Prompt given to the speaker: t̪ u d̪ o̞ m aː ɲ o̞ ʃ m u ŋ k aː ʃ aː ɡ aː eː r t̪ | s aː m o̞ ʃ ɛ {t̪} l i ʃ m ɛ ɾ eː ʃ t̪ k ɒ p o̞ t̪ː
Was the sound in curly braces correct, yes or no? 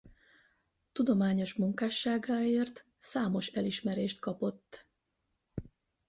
no